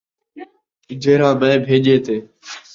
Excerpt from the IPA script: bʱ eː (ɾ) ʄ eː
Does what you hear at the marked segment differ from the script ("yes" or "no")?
yes